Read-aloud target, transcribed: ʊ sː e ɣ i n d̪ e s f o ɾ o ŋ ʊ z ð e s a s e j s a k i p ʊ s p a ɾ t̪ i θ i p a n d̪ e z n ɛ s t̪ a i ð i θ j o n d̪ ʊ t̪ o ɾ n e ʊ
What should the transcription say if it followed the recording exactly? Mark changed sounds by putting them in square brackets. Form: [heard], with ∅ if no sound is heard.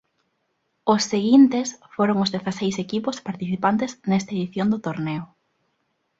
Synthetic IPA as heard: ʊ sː e ɣ i n [t̪] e s f o ɾ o ŋ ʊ z ð e [θ] a s e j s [e] k i p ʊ s p a ɾ t̪ i θ i p a n [t̪] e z n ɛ s t̪ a [e] ð i θ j o n d̪ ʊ t̪ o ɾ n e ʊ